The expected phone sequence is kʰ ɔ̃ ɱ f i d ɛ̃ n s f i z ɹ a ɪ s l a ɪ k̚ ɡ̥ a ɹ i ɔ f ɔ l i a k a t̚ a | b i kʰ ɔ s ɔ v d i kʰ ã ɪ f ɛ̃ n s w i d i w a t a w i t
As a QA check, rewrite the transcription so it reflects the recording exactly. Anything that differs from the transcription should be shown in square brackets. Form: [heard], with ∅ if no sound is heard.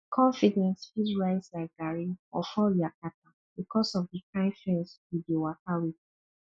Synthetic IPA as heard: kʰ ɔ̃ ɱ f i d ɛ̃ n s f i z ɹ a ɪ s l a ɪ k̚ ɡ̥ a ɹ i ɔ f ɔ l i a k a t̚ a | b i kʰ ɔ s ɔ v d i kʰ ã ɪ f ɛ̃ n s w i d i w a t a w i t

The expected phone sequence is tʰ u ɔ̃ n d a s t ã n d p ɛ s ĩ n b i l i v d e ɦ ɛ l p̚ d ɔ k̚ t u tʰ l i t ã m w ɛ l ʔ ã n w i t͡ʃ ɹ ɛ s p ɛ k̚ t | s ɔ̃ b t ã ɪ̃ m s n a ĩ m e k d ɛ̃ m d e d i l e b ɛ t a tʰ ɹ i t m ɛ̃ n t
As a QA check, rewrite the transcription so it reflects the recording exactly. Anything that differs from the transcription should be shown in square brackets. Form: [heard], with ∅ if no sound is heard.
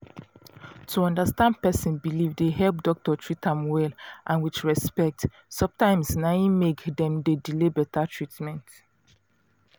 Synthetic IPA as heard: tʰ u ɔ̃ n d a s t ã n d p ɛ s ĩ n b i l i v d e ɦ ɛ l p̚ d ɔ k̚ t [ɔ] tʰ [ɹ] i t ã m w ɛ l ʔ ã n w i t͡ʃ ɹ ɛ s p ɛ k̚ t | s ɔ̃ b t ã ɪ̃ m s n a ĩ m e k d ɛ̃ m d e d i l e b ɛ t a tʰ ɹ i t m ɛ̃ n t

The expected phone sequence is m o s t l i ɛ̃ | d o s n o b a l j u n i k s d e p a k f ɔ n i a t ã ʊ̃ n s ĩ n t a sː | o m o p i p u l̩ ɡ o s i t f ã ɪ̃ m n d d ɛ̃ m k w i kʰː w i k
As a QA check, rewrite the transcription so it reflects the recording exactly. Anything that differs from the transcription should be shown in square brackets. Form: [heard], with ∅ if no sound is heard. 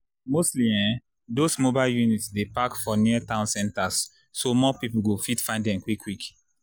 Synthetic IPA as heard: m o s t l i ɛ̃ | d o s [m] o b a l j u n i [t] s d e p a k f ɔ n i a t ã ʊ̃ n s [ɛ̃] n t a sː | o m [ɔ] p i p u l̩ ɡ o [f] i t f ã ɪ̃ [∅] n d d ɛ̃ m k w i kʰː w i k

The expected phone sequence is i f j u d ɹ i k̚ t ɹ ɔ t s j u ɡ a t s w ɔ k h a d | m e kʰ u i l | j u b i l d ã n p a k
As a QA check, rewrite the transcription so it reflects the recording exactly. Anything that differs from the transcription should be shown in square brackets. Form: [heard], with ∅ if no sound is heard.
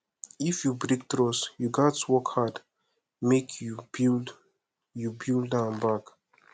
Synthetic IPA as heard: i f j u [b] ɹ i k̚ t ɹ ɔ [∅] s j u ɡ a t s w ɔ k h a d | m e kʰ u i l | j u b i l d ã n [b] a k

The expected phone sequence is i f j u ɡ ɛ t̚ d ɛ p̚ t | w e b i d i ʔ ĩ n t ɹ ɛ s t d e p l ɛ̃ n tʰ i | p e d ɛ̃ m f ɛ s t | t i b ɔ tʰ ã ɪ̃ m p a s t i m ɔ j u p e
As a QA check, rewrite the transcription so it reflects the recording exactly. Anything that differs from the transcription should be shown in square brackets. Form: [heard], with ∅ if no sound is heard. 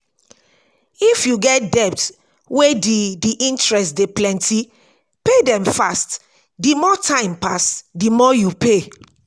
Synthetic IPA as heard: i f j u ɡ ɛ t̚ d ɛ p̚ t | w e [d] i d i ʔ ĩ n t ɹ ɛ s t d e p l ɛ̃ n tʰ i | p e d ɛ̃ m f [a] s t | [d] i [m] ɔ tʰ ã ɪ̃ m p a s [d] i m ɔ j u p e

